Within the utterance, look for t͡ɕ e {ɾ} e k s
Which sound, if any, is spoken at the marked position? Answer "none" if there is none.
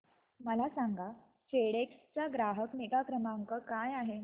ɽ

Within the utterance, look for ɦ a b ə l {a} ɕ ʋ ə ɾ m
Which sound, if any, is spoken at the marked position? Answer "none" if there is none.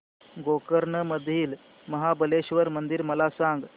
e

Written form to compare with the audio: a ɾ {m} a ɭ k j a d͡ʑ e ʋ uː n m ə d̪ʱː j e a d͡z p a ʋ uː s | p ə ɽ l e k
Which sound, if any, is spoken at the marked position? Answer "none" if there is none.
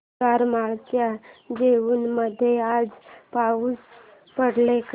m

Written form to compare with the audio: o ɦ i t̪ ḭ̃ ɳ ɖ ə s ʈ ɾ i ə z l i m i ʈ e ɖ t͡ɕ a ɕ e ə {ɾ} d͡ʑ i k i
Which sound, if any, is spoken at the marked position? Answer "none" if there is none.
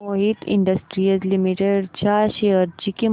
ɾ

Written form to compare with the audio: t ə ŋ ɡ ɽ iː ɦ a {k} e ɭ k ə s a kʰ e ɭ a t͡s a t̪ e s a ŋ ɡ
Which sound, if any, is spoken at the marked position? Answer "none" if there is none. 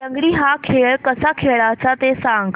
kʰ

